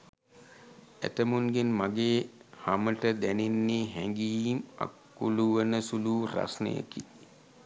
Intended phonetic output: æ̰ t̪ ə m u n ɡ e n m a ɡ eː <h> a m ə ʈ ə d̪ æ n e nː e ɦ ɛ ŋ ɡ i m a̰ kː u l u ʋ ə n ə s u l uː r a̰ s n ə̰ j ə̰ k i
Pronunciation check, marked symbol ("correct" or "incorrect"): correct